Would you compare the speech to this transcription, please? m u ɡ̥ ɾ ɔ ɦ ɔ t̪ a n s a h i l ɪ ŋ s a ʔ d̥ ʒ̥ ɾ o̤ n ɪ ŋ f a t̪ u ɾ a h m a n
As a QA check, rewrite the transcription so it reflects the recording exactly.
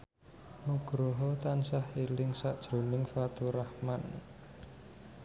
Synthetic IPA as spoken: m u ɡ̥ ɾ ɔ ɦ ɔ t̪ a n s a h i l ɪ ŋ s a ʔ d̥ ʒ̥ ɾ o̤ n ɪ ŋ f a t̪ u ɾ a h m a n